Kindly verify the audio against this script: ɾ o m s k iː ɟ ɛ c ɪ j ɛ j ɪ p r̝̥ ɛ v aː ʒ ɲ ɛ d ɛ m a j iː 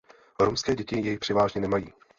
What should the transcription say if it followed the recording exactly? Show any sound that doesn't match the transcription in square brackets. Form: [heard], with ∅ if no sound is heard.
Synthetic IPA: ɾ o m s k [ɛː] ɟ ɛ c ɪ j ɛ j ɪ p r̝̥ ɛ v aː ʒ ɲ ɛ [n] ɛ m a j iː

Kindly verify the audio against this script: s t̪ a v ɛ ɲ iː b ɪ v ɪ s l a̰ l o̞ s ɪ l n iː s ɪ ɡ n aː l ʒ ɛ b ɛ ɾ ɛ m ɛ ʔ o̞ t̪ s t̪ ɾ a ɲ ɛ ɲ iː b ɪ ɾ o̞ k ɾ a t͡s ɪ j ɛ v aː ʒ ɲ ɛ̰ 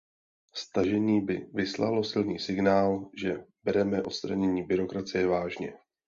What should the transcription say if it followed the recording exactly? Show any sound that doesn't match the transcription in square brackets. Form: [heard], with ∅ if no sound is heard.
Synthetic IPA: s t̪ a [ʒ] ɛ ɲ iː b ɪ v ɪ s l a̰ l o̞ s ɪ l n iː s ɪ ɡ n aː l ʒ ɛ b ɛ ɾ ɛ m ɛ ʔ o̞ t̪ s t̪ ɾ a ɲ ɛ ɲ iː b ɪ ɾ o̞ k ɾ a t͡s ɪ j ɛ v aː ʒ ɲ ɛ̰

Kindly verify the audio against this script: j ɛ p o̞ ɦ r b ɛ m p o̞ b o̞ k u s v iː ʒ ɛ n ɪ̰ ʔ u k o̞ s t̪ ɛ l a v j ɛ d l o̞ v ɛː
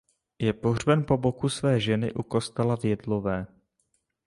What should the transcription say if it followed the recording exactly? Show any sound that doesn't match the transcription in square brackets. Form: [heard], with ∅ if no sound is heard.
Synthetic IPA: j ɛ p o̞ ɦ r b ɛ [n] p o̞ b o̞ k u s v [ɛː] ʒ ɛ n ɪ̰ ʔ u k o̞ s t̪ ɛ l a v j ɛ d l o̞ v ɛː

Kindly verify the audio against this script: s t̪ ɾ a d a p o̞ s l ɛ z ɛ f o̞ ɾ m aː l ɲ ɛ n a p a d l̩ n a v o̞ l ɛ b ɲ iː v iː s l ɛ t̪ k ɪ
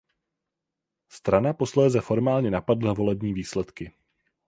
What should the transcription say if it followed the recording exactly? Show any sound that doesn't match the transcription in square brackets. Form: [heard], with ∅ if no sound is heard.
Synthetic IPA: s t̪ ɾ a [n] a p o̞ s l [ɛː] z ɛ f o̞ ɾ m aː l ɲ ɛ n a p a d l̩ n a v o̞ l ɛ b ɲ iː v iː s l ɛ t̪ k ɪ

